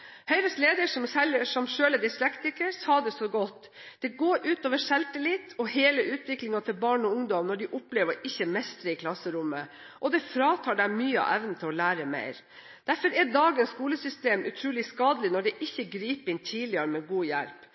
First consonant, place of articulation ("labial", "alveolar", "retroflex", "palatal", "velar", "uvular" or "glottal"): glottal